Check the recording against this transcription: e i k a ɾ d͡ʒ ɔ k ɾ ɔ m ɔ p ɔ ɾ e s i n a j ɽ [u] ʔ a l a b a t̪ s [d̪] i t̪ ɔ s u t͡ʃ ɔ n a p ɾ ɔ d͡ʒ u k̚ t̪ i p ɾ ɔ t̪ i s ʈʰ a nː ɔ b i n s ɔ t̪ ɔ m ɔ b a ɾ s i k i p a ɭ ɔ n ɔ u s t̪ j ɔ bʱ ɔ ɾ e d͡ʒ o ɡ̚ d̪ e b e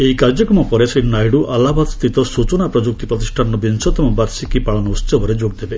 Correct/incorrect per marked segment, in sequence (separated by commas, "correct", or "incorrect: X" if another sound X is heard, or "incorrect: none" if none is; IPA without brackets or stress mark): correct, incorrect: t̪